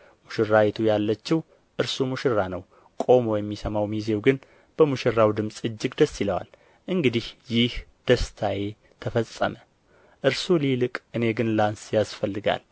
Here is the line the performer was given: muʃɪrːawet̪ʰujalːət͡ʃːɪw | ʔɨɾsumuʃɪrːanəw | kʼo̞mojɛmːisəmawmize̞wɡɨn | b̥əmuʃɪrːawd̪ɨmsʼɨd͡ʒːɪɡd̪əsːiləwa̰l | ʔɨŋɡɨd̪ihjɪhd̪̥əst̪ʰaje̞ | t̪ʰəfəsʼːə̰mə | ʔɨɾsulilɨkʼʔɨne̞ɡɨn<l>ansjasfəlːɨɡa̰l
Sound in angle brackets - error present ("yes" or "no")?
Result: no